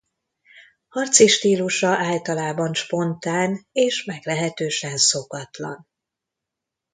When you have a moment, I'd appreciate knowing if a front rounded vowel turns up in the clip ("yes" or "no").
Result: yes